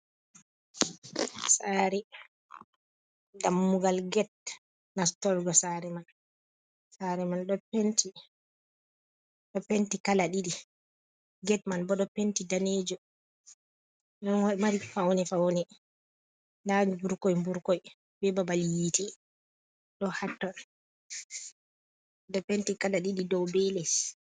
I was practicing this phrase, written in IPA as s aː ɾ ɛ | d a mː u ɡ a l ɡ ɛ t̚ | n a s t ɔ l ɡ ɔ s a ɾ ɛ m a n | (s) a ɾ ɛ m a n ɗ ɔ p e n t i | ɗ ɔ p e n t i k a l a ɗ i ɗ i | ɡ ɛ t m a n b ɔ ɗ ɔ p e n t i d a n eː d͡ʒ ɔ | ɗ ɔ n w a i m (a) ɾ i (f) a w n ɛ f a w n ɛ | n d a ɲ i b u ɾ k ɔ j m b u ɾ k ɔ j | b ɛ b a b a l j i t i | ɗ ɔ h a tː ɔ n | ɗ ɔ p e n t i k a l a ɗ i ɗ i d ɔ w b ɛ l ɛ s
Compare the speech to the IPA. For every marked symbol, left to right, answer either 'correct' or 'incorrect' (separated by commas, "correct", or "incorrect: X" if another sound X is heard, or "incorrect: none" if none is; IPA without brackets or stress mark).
correct, correct, correct